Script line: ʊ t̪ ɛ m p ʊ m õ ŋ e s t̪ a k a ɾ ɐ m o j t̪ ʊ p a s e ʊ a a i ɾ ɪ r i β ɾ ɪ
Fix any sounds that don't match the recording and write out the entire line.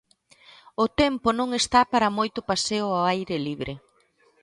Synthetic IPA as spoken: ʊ t̪ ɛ m p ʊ n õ ŋ e s t̪ a p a ɾ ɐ m o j t̪ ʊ p a s e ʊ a a j ɾ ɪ l i β ɾ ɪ